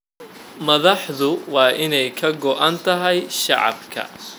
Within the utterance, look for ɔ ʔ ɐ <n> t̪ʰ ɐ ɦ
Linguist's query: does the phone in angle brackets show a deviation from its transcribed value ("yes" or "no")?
no